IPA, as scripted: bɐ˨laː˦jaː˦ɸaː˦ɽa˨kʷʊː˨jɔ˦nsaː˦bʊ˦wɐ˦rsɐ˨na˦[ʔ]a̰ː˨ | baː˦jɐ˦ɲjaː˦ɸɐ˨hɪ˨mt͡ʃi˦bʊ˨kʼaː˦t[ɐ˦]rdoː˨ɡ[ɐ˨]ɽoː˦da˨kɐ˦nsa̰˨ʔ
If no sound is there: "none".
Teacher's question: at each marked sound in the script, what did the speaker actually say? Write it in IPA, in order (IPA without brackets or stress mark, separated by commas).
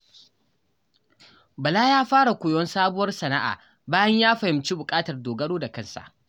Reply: ʔ, ɐ˨, ɐ˦